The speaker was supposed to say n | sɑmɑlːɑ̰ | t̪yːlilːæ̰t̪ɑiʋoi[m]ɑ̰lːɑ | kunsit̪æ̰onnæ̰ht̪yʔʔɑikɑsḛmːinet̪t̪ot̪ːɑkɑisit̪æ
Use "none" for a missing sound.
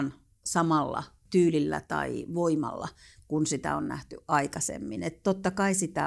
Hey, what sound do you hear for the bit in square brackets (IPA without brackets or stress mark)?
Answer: m